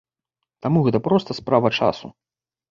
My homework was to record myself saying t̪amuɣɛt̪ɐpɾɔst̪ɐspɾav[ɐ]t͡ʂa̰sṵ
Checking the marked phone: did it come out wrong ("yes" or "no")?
no